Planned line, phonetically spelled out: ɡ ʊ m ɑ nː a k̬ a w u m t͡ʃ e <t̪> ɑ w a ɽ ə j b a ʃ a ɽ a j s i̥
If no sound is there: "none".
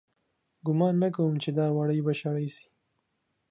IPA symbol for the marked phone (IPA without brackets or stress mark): d̪